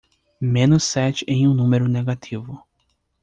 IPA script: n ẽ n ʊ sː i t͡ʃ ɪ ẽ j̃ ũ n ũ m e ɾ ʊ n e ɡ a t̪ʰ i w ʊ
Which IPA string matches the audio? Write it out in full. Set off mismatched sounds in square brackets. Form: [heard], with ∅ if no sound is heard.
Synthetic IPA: [m] ẽ n ʊ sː [ɛ] t͡ʃ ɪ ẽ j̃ ũ n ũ m e ɾ ʊ n e ɡ a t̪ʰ i [v] ʊ